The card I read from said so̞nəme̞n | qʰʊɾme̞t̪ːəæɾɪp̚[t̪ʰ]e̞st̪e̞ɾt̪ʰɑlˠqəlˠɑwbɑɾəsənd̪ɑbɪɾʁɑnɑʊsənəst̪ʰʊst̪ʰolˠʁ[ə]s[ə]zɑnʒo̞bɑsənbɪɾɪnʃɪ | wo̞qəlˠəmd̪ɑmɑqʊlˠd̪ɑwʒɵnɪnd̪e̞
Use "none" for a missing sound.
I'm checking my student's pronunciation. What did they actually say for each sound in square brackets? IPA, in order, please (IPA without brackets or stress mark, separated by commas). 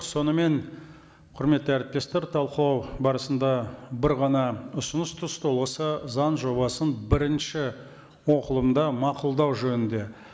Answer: t̪, ə, ə